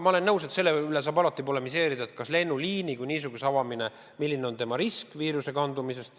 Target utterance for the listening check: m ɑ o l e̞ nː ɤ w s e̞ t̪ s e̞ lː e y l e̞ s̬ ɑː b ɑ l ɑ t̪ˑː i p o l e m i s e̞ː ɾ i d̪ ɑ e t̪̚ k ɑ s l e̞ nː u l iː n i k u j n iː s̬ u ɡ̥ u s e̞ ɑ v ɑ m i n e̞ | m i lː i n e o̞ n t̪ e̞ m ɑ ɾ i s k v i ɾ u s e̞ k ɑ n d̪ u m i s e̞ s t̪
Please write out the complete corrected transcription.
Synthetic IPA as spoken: m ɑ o l e̞ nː ɤ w s e̞ t̪ s e̞ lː e y l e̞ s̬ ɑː b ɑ l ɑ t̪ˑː i p o l e m i s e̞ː ɾ i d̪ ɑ e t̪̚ k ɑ s l e̞ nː u l iː n i k u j n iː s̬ u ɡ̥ u s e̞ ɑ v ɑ m i n e̞ | m i lː i n e o̞ n t̪ e̞ m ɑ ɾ i s k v iː ɾ u s e̞ k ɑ n d̪ u m i s e̞ s t̪

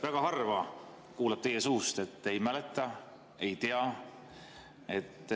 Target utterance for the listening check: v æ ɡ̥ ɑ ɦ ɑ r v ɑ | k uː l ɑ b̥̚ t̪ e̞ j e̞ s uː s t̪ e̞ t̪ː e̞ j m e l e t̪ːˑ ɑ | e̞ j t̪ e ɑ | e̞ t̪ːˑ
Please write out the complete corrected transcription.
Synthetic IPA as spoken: v æ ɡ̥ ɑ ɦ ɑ r v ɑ | k uː l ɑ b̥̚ t̪ e̞ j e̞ s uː s t̪ e̞ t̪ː e̞ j m æ l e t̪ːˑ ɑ | e̞ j t̪ e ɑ | e̞ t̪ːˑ

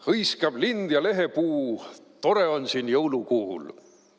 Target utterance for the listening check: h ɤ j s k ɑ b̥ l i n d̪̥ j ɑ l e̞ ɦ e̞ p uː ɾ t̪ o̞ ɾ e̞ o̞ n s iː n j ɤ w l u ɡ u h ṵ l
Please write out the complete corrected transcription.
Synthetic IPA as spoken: h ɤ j s k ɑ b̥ l i n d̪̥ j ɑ l e̞ ɦ e̞ p uː t̪ o̞ ɾ e̞ o̞ n s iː n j ɤ w l u k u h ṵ l

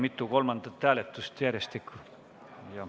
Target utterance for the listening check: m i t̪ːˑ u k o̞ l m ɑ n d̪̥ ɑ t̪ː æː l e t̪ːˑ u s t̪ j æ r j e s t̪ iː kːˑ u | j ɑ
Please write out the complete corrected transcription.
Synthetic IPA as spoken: m i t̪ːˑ u k o̞ l m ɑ n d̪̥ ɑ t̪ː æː l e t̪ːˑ u s t̪ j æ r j e s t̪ i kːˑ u | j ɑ

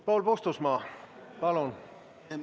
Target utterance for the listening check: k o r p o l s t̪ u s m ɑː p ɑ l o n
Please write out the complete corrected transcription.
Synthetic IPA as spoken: p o l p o s t̪ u s m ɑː p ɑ l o n

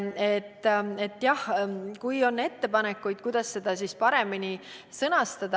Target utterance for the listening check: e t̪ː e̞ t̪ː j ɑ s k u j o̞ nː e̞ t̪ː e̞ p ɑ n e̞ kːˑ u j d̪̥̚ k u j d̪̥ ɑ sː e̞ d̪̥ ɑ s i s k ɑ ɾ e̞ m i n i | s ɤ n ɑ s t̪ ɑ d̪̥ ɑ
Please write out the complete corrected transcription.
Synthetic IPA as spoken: e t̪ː e̞ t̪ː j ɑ h k u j o̞ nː e̞ t̪ː e̞ p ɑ n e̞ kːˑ u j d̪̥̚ k u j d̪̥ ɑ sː e̞ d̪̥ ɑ s i s p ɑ ɾ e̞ m i n i | s ɤ n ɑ s t̪ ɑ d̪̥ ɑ

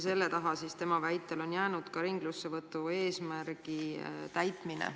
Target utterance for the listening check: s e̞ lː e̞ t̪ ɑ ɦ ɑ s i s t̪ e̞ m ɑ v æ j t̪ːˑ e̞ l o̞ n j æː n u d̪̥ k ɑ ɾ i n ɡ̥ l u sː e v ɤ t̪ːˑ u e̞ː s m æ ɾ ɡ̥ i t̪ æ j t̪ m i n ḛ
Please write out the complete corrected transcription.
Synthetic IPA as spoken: s e̞ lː e̞ t̪ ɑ ɦ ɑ s i s t̪ e̞ m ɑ v æ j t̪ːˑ e̞ l o̞ n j æː n u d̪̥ k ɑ ɾ i ŋ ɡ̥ l u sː e v ɤ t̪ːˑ u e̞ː s m æ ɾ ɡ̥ i t̪ æ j t̪ m i n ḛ

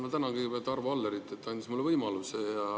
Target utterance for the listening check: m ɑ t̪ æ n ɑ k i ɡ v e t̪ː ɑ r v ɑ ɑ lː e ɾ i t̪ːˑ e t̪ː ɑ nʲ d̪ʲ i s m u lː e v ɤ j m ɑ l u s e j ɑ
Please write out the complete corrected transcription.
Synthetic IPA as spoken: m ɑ t̪ æ n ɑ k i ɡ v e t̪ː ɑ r v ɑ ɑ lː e ɾ i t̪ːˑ e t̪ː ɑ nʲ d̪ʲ i s m u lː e v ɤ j m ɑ l u s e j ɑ

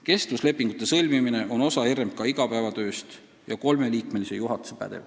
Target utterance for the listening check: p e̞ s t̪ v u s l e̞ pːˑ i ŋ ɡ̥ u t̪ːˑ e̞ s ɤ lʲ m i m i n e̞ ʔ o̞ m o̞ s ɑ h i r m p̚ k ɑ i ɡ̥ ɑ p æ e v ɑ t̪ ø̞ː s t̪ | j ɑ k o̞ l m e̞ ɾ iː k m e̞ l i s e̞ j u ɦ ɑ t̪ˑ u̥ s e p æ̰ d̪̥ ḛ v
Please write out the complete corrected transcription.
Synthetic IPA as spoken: k e̞ s t̪ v u s l e̞ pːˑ i ŋ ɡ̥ u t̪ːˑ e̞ s ɤ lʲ m i m i n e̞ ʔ o̞ n o̞ s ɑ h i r m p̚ k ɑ i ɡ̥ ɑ p æ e v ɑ t̪ ø̞ː s t̪ | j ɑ k o̞ l m e̞ l iː k m e̞ l i s e̞ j u ɦ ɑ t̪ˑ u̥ s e p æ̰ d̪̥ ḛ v

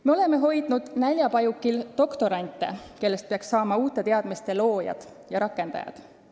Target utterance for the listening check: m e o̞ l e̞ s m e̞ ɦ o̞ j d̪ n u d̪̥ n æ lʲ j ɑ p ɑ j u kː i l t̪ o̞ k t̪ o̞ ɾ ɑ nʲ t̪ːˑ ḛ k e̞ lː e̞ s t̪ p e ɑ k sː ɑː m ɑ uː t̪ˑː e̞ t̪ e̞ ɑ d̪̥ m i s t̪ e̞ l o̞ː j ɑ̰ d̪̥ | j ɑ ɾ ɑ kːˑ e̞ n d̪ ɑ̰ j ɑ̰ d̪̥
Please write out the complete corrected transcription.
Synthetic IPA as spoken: m e o̞ l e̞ m e̞ ɦ o̞ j d̪ n u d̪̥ n æ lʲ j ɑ p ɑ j u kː i l t̪ o̞ k t̪ o̞ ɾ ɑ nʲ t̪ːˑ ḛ k e̞ lː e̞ s t̪ p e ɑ k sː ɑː m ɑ uː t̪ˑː e̞ t̪ e̞ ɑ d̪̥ m i s t̪ e̞ l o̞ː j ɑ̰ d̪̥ | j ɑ ɾ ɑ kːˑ e̞ n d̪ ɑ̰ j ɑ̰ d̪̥

